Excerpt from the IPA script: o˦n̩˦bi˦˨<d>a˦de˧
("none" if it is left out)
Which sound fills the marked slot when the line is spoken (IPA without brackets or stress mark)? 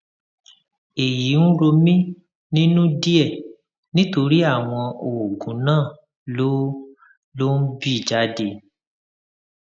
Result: d͡ʒ